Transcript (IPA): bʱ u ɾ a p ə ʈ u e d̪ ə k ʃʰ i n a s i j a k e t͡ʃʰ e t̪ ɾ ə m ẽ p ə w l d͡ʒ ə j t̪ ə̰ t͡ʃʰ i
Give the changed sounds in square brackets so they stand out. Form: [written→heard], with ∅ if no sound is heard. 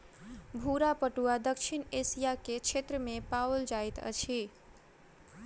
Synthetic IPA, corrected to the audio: bʱ u ɾ a p ə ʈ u [e→a] d̪ ə k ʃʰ i n [a→e] s i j a k e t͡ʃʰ e t̪ ɾ ə m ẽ p [ə→a] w l d͡ʒ [ə→a] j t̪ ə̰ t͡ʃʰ i